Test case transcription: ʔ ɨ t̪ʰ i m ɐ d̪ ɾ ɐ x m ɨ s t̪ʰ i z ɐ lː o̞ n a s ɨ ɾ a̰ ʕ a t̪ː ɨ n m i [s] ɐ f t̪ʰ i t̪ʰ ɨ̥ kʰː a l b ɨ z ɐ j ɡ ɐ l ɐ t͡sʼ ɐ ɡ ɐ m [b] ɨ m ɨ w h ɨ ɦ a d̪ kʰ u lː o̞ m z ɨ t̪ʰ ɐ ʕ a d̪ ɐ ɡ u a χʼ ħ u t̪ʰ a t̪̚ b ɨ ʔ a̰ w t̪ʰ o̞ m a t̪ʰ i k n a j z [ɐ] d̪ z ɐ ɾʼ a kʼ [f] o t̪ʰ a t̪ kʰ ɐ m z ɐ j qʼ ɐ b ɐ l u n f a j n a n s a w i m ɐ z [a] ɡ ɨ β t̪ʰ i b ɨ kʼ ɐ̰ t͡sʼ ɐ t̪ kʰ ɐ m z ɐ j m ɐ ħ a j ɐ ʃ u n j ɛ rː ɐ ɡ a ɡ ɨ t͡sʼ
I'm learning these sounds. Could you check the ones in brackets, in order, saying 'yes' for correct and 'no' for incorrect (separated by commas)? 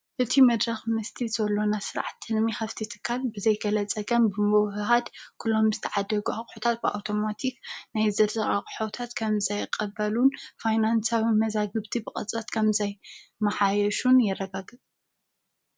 no, yes, yes, no, yes